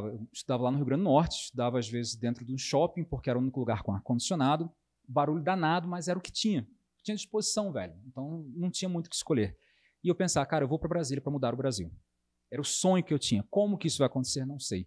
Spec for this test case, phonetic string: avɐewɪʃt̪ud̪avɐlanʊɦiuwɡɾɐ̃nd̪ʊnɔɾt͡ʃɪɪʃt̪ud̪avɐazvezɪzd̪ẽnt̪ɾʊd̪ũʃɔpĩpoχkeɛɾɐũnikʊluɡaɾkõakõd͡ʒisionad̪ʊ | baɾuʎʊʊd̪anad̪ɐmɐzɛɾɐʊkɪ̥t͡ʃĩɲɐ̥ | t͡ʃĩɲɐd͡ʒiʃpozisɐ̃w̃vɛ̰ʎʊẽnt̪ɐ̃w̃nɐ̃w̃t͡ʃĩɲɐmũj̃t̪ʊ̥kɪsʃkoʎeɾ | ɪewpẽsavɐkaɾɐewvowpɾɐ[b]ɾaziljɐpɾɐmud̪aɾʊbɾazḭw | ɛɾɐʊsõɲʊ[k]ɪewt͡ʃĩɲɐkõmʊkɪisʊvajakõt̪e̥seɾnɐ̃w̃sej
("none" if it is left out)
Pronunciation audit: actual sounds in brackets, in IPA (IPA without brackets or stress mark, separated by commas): b, k